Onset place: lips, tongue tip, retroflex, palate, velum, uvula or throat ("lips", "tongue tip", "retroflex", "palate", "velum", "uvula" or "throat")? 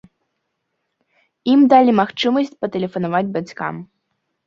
lips